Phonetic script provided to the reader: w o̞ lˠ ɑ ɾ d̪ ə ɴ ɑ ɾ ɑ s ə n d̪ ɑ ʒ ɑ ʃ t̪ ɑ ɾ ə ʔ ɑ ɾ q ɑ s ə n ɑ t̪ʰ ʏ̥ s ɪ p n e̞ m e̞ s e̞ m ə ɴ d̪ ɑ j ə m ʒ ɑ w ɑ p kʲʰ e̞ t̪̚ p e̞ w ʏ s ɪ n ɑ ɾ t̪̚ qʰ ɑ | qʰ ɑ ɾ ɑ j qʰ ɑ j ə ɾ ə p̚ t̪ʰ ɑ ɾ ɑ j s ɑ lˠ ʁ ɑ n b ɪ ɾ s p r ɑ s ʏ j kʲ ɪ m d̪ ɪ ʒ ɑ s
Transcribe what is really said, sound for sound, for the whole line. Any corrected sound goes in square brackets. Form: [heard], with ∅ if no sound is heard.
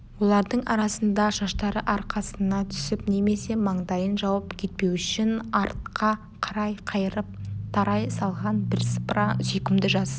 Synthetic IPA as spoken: w o̞ lˠ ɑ ɾ d̪ ə ɴ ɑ ɾ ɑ s ə n d̪ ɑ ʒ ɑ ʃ t̪ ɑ ɾ ə ʔ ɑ ɾ q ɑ s ə n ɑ t̪ʰ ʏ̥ s ɪ p n e̞ m e̞ s e̞ m [ɑ] ɴ d̪ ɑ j ə [n] ʒ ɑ w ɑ p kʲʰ e̞ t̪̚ p e̞ w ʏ [ʃ] ɪ n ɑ ɾ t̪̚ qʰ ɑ | qʰ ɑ ɾ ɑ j qʰ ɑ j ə ɾ ə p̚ t̪ʰ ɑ ɾ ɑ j s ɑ lˠ ʁ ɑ n b ɪ ɾ s p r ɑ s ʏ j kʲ ɪ m d̪ ɪ ʒ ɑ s